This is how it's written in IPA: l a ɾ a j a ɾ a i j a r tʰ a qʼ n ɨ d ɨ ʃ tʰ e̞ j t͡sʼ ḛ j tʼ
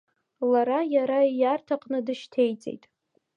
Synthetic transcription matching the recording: l a ɾ a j a ɾ a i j a r tʰ a qʼ n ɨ d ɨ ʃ tʰ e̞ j t͡sʼ ḛ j tʼ